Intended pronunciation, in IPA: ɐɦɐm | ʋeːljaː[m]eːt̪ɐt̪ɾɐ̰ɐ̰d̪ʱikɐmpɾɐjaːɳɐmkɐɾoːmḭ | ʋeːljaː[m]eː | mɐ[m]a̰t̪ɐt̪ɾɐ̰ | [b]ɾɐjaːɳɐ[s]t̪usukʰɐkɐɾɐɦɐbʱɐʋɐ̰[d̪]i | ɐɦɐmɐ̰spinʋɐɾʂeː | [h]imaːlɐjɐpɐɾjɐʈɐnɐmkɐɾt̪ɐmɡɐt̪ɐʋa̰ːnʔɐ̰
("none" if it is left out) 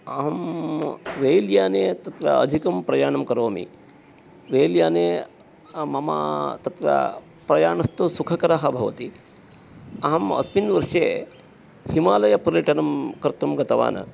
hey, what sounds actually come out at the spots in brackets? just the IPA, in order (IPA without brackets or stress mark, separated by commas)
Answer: n, n, m, p, s, t̪, h